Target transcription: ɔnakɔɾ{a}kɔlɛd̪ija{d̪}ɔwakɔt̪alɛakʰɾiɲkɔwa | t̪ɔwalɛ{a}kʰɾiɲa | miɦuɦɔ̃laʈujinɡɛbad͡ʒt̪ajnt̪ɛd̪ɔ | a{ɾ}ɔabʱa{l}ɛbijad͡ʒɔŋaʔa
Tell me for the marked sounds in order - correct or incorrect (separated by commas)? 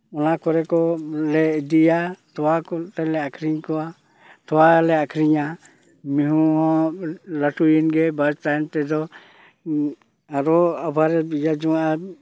incorrect, incorrect, correct, correct, incorrect